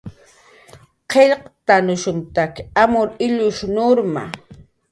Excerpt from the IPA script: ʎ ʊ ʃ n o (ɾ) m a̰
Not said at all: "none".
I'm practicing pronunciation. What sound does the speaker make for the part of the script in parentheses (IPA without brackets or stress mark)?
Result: ɾ